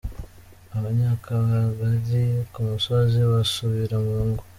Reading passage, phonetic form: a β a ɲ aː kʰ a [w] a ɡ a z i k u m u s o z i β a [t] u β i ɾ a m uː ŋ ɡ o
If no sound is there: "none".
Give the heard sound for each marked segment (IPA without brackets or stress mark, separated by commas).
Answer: β, s